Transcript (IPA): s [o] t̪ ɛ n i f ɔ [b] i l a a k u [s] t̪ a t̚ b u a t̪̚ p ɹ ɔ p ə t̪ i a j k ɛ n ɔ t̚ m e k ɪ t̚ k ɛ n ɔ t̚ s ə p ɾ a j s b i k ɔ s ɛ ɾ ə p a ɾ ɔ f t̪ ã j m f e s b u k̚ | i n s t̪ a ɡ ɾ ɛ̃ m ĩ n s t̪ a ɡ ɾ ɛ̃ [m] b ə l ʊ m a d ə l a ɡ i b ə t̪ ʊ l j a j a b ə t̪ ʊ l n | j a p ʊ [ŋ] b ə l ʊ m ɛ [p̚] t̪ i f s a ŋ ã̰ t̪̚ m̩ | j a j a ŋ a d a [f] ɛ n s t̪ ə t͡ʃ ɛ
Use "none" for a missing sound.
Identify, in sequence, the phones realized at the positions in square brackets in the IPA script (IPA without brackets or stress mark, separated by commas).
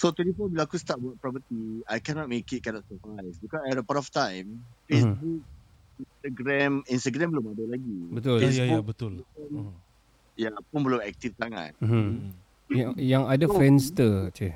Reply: o, b, s, m, n, k̚, f